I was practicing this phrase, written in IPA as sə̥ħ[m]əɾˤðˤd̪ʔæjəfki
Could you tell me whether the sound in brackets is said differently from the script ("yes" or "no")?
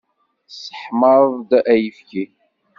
no